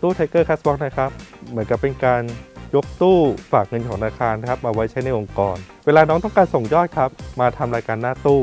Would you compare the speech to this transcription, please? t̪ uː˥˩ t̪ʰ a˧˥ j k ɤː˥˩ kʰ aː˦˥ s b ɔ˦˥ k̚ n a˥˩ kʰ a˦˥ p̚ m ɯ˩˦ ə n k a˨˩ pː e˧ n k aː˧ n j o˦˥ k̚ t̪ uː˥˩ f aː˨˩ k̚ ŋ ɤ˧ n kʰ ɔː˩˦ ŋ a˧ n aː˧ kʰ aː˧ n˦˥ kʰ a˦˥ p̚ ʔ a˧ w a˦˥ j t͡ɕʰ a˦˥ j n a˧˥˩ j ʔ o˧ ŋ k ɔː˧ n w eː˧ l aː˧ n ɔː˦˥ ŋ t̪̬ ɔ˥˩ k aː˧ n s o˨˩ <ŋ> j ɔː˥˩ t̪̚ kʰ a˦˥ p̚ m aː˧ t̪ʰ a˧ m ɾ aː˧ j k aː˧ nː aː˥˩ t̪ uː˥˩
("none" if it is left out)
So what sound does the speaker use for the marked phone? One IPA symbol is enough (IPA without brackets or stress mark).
ŋ